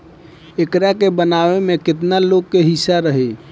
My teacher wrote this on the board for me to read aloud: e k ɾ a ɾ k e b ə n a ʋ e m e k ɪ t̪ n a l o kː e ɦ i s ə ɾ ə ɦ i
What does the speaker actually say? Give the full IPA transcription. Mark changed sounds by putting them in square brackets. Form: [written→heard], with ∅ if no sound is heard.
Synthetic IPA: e k ɾ a [ɾ→∅] k e b ə n a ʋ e m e k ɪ t̪ n a l o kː e ɦ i s [ə→a] ɾ ə ɦ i